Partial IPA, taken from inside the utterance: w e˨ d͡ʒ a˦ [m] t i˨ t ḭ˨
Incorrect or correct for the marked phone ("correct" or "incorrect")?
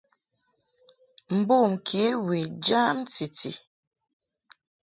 correct